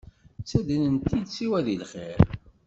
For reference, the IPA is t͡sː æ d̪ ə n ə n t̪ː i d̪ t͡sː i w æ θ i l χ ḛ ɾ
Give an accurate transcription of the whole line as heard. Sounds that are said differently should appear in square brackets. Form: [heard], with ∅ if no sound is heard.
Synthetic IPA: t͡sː æ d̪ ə n ə n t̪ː i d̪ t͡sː i w æ [ð] i l χ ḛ ɾ

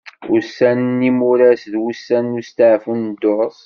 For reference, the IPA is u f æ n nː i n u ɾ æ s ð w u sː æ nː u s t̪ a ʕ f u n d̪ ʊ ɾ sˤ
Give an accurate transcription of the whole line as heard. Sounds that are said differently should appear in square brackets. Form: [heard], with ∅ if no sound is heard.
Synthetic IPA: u [s] æ n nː i [m] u ɾ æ s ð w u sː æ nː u s t̪ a ʕ f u n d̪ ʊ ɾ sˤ

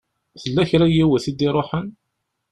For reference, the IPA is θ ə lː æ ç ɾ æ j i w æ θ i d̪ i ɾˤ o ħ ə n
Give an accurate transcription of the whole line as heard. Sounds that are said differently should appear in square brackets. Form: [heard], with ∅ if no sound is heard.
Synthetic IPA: θ ə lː æ ç ɾ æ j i w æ θ i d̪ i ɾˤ o ħ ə n

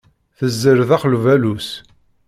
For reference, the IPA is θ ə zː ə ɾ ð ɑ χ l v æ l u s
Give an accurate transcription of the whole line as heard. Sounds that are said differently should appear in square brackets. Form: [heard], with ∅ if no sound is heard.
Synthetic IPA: θ ə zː ə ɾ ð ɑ χ l v æ l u s

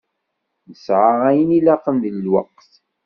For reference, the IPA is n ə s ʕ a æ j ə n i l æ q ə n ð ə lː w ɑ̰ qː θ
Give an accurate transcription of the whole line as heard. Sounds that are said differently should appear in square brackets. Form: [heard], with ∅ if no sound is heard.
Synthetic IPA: n ə s ʕ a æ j ə n i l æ q ə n ð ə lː w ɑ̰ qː θ

